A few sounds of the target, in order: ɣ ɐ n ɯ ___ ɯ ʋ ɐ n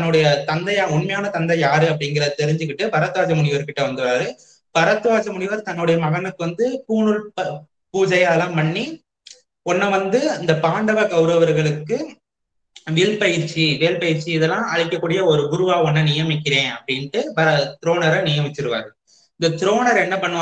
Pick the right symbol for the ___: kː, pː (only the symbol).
kː